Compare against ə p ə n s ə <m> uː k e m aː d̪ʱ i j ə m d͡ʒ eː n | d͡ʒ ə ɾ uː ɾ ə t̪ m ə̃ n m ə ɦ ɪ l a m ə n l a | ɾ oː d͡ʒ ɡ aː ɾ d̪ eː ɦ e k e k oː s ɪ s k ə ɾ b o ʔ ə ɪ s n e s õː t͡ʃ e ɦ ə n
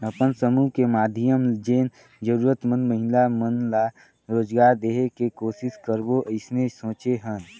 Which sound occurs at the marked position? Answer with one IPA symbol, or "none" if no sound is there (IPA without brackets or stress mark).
m